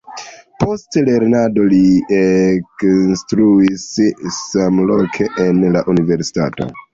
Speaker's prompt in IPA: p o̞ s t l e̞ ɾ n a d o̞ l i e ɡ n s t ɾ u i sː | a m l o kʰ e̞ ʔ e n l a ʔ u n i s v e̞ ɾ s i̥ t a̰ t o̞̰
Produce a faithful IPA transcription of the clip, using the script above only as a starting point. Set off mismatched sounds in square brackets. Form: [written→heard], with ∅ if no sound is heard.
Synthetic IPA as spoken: p o̞ s t l e̞ ɾ n a d o̞ l i e [ɡ→k] n s t ɾ u i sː | a m l o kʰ e̞ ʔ e n l a ʔ u n i [s→∅] v e̞ ɾ s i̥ t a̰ t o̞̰